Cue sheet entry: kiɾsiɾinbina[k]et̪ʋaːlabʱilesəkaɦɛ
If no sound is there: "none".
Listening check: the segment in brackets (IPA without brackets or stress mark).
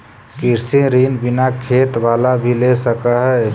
kʰ